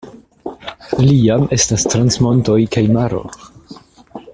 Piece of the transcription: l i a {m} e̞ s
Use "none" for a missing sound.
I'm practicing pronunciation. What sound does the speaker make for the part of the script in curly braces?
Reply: m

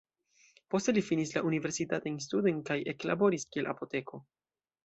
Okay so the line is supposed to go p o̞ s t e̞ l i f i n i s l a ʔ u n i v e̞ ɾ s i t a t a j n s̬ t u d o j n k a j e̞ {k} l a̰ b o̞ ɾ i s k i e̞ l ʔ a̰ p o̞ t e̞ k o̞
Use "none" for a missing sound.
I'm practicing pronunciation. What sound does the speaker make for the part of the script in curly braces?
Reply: k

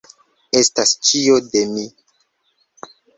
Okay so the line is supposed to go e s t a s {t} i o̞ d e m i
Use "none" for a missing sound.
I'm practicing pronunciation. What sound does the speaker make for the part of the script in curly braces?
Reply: t͡ʃ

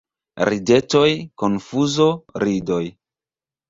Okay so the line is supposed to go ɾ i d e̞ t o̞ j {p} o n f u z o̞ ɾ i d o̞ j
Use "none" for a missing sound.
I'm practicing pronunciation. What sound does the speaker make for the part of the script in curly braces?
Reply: k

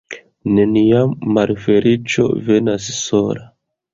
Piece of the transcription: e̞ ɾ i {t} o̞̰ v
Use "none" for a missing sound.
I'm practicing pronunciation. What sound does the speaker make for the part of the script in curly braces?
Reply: t͡ʃ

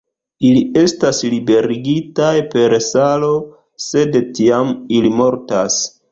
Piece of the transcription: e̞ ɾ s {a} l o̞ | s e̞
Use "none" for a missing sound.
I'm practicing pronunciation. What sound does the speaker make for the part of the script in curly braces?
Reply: a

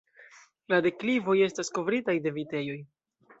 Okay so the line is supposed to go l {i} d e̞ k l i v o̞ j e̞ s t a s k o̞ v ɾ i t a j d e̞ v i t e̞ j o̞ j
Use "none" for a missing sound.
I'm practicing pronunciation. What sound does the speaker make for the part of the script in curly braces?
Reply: a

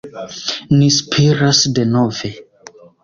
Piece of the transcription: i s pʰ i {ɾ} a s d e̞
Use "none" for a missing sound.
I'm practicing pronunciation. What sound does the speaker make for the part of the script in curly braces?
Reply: ɾ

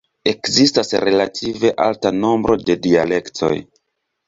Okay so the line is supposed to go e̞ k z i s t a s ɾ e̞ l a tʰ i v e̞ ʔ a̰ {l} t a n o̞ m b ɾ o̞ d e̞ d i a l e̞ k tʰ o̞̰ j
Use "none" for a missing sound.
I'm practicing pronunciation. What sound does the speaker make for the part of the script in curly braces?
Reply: l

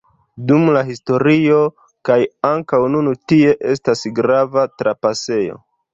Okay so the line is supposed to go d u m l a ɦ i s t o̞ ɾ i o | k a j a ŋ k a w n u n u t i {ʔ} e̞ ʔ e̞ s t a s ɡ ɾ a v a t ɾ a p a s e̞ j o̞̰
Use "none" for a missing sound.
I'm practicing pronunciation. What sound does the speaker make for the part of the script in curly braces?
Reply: none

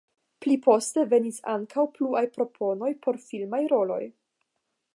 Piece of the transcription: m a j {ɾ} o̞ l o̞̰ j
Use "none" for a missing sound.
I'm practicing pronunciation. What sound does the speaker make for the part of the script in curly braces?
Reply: ɾ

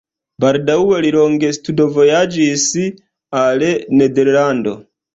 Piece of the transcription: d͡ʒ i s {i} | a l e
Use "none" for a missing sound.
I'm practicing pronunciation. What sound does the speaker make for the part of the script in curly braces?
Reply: i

